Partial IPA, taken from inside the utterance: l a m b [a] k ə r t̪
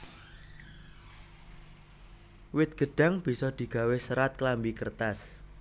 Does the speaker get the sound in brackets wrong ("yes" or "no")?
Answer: yes